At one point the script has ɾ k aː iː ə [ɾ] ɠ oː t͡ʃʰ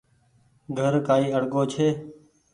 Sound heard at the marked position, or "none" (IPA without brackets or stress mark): ɽ